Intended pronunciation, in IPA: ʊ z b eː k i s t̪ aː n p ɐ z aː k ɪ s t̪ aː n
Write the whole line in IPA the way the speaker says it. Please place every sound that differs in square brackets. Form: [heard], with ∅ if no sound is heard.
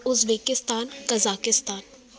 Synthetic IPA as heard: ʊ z b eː k [ɪ] s t̪ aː n [k] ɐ z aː k ɪ s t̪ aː n